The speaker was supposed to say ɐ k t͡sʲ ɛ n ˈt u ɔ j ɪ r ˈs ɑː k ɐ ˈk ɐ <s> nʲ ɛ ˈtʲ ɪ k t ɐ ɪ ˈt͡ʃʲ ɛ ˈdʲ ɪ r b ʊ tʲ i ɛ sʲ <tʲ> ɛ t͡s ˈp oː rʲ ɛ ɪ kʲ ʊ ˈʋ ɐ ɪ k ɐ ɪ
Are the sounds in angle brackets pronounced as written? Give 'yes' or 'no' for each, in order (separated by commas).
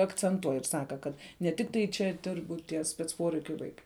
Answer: no, no